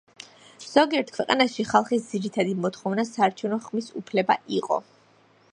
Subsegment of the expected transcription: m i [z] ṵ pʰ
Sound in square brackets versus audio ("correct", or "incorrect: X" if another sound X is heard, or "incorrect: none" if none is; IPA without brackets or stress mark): incorrect: s